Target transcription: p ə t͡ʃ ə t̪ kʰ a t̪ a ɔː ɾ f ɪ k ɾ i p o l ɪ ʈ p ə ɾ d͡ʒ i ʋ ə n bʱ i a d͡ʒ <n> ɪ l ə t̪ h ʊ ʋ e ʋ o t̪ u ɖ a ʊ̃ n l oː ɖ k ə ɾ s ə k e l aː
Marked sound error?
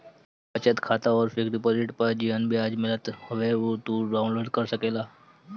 yes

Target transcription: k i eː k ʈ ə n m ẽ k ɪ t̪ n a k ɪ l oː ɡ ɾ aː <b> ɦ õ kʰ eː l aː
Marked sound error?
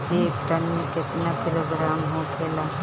yes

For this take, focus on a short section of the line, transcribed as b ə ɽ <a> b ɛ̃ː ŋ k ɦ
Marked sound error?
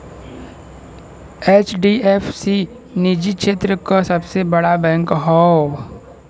no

